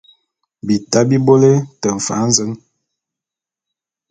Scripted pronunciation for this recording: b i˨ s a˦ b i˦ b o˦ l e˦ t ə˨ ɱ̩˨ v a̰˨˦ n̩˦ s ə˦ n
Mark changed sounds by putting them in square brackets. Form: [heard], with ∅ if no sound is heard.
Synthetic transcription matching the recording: b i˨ [t] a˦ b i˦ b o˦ l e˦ t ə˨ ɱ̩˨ [f] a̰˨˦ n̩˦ [z] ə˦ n